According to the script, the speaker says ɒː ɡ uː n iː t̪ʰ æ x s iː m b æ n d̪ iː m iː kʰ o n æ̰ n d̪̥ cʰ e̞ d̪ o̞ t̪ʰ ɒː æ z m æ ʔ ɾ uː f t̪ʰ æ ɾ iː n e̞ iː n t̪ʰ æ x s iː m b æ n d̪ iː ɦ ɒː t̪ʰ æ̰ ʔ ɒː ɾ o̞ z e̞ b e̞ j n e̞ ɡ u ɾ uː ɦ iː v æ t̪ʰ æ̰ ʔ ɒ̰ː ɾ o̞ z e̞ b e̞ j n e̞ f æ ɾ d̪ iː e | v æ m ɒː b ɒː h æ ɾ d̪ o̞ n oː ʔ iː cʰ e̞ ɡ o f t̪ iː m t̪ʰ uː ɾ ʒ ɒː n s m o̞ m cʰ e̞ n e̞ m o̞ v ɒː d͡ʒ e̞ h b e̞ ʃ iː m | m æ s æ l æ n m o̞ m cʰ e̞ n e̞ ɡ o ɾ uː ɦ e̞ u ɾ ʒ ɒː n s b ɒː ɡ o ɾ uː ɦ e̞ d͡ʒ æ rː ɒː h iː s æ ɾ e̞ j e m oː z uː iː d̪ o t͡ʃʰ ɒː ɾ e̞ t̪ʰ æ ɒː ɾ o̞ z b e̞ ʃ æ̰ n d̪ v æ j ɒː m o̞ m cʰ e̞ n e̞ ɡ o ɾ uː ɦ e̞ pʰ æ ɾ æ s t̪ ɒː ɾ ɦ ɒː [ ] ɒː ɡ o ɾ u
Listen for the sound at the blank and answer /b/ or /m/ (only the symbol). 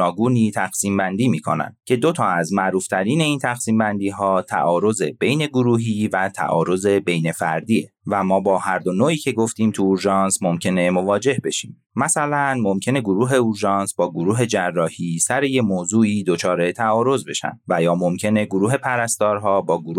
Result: b